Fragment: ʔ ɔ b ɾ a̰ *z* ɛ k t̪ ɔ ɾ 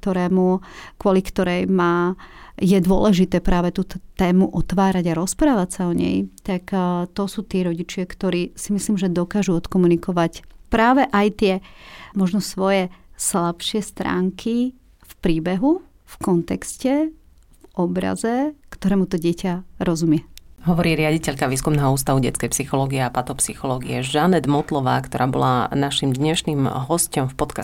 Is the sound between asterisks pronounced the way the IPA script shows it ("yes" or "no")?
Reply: yes